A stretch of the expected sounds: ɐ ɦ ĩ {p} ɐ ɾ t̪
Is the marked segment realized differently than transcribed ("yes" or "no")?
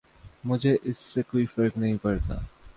no